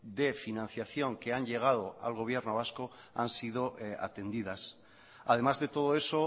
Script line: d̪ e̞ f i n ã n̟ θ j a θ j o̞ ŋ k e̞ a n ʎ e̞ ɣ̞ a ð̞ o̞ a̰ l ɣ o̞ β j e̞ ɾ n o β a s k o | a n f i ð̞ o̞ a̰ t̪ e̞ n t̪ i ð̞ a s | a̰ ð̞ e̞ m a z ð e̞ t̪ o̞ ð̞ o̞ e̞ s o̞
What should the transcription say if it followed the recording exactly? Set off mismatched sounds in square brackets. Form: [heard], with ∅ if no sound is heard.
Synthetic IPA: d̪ e̞ f i n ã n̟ θ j a θ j o̞ ŋ k e̞ a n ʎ e̞ ɣ̞ a ð̞ o̞ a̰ l ɣ o̞ β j e̞ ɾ n o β a s k o | a n [s] i ð̞ o̞ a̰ t̪ e̞ n [d̪] i ð̞ a s | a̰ ð̞ e̞ m a z ð e̞ t̪ o̞ ð̞ o̞ e̞ s o̞